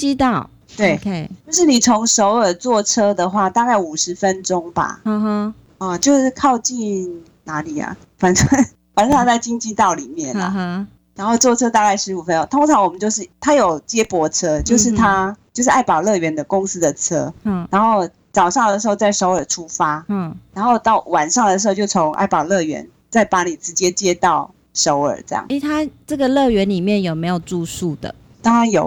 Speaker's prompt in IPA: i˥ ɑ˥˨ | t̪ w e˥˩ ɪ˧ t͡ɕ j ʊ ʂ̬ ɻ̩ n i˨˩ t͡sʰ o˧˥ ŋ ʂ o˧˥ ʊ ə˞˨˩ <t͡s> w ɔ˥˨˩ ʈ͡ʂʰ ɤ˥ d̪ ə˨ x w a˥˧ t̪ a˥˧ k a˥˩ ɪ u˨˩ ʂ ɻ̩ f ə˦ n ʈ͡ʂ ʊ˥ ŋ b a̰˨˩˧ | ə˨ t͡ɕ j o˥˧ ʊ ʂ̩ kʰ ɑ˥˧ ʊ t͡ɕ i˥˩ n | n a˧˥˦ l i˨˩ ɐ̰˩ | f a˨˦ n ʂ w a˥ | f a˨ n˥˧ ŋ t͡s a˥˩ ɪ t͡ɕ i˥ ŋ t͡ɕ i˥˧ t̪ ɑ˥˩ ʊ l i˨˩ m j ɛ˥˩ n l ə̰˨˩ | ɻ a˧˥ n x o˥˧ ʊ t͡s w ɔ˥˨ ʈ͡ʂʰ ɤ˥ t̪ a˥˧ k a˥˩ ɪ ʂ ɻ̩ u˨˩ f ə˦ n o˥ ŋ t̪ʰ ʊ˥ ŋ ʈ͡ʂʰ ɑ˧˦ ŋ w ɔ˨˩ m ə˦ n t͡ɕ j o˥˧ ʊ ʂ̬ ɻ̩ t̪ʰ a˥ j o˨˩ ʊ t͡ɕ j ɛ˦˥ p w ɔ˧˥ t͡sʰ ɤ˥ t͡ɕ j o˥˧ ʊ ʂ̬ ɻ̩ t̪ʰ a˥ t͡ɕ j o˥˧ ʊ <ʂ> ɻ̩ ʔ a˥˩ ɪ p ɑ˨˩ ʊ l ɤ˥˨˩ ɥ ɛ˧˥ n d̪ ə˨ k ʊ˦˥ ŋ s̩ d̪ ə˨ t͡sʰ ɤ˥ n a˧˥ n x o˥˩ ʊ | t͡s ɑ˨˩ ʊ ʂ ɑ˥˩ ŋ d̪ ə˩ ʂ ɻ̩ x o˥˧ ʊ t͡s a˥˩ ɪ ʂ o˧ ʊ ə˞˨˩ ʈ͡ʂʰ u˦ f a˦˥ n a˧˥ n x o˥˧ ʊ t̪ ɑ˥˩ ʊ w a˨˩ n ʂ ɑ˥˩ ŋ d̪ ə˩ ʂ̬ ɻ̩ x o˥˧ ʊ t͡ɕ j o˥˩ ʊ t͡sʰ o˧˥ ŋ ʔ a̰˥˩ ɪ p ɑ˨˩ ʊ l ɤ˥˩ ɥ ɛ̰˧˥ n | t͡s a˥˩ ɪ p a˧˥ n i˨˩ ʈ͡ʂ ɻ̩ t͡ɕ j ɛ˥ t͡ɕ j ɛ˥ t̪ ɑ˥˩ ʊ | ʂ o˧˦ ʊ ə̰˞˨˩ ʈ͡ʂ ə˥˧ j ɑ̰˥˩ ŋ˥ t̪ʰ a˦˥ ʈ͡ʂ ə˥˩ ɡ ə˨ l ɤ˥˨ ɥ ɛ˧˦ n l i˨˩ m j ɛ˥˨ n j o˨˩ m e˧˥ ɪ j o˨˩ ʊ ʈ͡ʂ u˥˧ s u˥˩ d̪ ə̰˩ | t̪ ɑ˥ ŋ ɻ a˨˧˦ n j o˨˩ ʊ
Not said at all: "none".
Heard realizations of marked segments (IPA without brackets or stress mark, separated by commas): t͡s, ʂ